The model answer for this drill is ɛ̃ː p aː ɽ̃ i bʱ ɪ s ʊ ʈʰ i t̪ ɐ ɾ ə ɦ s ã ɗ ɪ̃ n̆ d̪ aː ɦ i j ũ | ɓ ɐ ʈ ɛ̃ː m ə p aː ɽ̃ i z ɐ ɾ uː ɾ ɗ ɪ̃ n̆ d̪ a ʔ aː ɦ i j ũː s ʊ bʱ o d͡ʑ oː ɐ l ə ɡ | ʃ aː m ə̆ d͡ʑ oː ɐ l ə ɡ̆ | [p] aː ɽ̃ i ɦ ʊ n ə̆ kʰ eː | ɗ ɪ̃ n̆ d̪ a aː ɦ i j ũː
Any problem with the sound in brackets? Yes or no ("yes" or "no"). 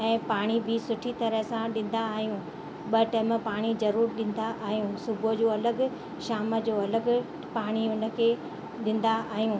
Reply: no